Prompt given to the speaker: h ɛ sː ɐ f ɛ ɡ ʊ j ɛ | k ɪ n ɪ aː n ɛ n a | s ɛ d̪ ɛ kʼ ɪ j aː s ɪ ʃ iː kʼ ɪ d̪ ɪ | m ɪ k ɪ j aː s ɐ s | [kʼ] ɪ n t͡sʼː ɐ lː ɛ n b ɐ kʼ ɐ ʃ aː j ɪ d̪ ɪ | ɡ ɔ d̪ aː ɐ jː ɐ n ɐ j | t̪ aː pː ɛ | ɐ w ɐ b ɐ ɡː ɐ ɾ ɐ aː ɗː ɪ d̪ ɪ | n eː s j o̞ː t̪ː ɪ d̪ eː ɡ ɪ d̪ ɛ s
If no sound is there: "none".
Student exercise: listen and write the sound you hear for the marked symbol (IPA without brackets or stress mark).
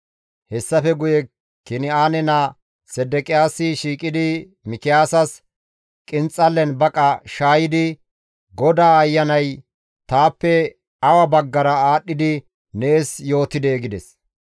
kʼ